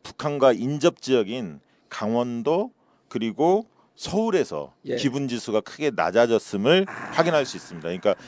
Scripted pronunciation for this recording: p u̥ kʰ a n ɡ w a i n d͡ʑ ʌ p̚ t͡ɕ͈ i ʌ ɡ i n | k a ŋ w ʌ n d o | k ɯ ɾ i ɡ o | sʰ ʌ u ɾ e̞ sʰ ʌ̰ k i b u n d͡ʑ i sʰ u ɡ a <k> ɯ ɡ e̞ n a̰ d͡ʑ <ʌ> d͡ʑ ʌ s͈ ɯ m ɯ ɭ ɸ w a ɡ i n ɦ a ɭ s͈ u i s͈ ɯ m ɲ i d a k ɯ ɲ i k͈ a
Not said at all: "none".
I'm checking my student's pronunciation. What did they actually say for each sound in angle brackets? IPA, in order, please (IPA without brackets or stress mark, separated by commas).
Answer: kʰ, a